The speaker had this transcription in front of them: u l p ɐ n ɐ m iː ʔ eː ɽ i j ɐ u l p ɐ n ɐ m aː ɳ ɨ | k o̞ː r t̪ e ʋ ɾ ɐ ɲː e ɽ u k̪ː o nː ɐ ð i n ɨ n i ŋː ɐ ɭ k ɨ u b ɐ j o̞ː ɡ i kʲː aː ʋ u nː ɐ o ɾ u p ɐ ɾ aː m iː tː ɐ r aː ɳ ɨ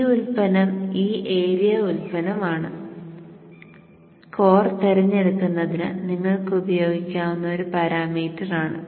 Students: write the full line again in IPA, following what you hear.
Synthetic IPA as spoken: u l p ɐ n ɐ m iː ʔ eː ɾ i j ɐ u l p ɐ n ɐ m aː ɳ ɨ | k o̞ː r t̪ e ɾ ɐ ɲː e ɽ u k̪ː u nː ɐ ð i n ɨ n i ŋː ɐ ɭ k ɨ u b ɐ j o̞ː ɡ i kʲː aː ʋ u nː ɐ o ɾ u p ɐ ɾ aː m iː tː ɐ r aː ɳ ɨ